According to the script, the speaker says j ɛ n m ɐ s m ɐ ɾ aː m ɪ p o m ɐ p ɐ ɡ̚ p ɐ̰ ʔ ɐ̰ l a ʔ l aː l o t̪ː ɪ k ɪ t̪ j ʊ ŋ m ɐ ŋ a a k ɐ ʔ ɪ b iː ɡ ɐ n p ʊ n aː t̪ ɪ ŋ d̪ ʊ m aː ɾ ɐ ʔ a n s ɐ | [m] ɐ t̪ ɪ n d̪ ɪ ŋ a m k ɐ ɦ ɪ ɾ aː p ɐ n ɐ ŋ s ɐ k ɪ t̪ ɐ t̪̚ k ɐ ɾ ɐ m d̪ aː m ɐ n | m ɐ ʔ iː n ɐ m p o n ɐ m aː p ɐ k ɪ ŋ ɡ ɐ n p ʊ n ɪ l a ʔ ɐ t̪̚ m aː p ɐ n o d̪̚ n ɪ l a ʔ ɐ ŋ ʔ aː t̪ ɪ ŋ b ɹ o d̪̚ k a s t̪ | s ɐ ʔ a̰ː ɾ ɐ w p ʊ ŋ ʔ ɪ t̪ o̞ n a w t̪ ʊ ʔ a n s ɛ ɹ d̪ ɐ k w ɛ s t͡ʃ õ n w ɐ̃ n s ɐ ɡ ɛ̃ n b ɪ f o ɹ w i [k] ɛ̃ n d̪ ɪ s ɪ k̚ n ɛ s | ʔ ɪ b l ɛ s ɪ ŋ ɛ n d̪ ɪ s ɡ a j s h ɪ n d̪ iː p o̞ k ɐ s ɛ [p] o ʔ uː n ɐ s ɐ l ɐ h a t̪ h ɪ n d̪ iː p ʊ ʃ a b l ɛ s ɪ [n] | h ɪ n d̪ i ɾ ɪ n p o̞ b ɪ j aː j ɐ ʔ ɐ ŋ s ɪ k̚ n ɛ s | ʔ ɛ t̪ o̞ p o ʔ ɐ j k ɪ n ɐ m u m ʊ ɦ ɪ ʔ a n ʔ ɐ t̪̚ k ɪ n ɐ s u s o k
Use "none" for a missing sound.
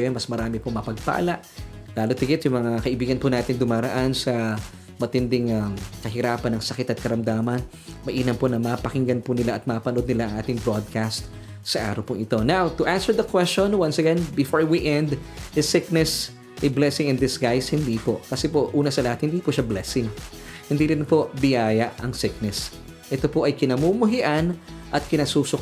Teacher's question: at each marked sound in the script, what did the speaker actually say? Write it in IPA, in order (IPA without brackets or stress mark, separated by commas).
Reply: m, ʔ, p, ŋ